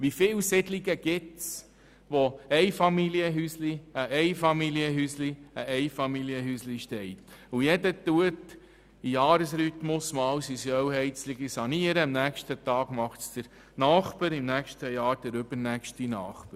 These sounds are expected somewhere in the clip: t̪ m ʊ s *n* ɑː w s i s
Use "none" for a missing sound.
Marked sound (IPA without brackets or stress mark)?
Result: m